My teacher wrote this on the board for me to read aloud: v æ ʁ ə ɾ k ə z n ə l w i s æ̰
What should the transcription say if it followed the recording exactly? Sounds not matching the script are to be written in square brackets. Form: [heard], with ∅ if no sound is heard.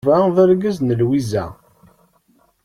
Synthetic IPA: v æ [ð] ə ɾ [ɡ] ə z n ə l w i [z] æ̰